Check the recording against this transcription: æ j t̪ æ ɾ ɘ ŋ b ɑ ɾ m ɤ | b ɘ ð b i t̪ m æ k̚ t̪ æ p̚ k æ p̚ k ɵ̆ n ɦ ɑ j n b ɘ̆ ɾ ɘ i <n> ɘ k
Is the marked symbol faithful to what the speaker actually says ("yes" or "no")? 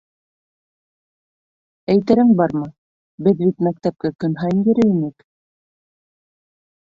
yes